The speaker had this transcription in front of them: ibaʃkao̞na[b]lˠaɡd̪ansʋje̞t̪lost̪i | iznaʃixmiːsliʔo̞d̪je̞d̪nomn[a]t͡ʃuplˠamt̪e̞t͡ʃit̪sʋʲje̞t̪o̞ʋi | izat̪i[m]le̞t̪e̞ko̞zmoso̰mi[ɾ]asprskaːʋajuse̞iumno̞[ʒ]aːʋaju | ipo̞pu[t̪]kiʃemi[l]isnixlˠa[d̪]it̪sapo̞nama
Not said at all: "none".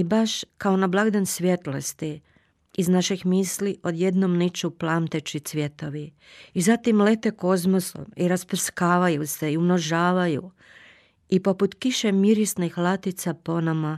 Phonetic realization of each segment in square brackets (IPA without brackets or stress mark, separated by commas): b, i, m, ɾ, ʒ, t̪, ɾ, t̪